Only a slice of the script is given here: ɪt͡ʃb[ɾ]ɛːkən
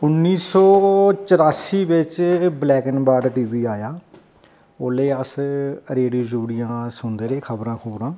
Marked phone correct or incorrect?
incorrect: l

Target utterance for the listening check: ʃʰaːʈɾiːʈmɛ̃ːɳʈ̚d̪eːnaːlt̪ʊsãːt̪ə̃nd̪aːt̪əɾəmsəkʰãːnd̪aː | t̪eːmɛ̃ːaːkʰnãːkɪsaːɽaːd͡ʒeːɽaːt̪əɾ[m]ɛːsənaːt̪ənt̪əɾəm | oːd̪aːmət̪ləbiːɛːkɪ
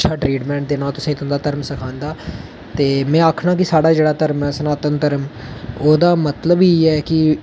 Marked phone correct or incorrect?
correct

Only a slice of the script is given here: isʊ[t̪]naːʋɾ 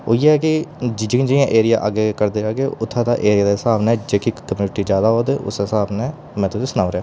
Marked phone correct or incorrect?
incorrect: none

